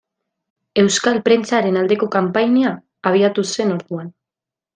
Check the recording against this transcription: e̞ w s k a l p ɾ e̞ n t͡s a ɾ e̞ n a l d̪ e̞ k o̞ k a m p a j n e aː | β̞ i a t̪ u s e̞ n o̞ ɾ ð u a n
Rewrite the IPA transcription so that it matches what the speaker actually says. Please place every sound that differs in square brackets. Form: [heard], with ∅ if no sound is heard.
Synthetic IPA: e̞ w s k a l p ɾ e̞ n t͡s a ɾ e̞ n a l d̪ e̞ k o̞ k a m p a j n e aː | β̞ i a t̪ u s e̞ n o̞ ɾ ð u a n